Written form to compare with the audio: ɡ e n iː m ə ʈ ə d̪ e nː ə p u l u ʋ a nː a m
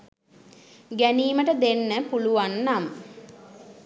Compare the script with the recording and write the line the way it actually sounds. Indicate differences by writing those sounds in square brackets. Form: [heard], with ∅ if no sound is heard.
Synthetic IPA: ɡ [æ] n iː m ə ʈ ə d̪ e nː ə p u l u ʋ a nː a m